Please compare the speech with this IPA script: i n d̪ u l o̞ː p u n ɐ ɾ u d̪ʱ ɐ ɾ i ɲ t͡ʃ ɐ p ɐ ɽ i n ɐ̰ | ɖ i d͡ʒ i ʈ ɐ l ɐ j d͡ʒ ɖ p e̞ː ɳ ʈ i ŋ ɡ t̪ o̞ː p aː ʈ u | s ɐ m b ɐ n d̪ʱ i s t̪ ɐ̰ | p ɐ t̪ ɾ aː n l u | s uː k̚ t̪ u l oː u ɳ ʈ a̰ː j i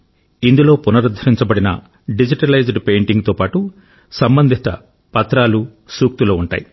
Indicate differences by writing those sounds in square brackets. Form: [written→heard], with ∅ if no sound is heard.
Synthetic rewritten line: i n d̪ u l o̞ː p u n ɐ ɾ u d̪ʱ ɐ ɾ i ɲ t͡ʃ ɐ [p→b] ɐ ɽ i n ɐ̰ | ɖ i d͡ʒ i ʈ ɐ l ɐ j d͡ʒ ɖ p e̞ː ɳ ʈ i ŋ ɡ t̪ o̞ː p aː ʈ u | s ɐ m b ɐ n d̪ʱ i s t̪ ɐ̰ | p ɐ t̪ ɾ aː [n→∅] l u | s uː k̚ t̪ u l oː u ɳ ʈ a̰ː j i